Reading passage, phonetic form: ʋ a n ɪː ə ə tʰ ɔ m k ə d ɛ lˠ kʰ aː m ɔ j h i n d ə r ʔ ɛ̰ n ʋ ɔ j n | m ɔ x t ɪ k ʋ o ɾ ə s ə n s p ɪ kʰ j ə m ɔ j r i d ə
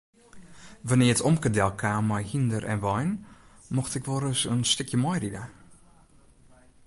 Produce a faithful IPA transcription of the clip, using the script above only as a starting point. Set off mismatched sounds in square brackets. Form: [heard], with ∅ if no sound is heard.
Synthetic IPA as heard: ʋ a n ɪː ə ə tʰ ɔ m k ə d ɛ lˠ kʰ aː m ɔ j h i n d ə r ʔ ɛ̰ n ʋ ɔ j n | m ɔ x t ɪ k ʋ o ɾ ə s ə n s [t] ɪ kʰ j ə m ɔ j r i d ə

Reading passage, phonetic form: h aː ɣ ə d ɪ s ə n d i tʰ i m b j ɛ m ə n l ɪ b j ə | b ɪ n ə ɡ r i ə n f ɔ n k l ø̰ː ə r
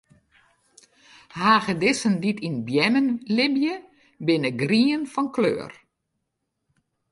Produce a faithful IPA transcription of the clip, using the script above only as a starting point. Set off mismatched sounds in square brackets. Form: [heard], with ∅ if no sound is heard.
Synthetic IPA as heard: h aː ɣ ə d ɪ s ə n d i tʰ i [n] b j ɛ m ə n l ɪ b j ə | b ɪ n ə ɡ r i ə n f ɔ n k l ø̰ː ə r

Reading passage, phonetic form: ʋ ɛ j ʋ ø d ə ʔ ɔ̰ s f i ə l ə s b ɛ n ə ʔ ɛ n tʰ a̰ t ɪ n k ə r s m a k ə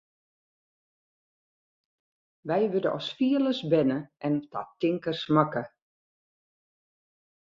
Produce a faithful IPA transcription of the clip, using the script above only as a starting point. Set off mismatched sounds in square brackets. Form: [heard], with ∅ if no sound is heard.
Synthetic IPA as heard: ʋ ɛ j ʋ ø d ə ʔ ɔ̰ s f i ə l ə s b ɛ n ə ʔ ɛ n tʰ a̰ t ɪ [ŋ] k ə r s m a k ə

